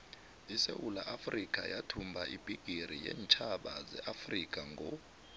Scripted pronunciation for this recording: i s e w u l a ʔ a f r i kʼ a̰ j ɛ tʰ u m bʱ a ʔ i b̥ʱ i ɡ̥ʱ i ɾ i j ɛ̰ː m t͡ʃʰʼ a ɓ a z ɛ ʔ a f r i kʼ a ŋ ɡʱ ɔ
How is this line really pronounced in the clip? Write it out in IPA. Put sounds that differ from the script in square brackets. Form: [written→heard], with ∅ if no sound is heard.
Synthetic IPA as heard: i s e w u l a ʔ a f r i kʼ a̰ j [ɛ→a] tʰ u m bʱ a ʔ i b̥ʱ i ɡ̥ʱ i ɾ i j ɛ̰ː [m→n] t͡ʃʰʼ a ɓ a z ɛ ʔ a f r i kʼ a ŋ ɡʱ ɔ